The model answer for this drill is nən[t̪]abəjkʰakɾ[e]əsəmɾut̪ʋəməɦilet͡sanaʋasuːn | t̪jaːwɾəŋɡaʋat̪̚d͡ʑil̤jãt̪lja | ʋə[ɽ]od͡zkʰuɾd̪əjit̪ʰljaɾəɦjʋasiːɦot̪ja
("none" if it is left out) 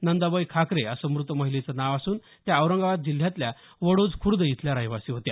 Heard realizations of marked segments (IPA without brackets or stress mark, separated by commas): d̪, e, ɽ